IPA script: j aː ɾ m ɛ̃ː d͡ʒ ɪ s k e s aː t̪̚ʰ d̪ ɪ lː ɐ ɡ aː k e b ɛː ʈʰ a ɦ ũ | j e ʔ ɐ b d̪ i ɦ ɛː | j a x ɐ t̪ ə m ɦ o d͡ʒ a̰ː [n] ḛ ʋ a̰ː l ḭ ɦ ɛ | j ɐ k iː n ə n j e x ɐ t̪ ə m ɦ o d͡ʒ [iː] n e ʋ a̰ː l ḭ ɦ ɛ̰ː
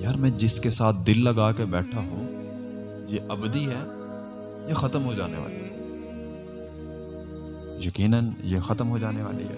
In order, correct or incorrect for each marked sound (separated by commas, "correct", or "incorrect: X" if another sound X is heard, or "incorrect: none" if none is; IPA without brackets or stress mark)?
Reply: correct, incorrect: aː